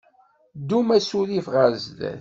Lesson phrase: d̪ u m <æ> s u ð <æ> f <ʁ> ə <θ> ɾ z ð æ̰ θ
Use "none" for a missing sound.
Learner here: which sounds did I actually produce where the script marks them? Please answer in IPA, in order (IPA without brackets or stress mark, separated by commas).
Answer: æ, i, ʁ, none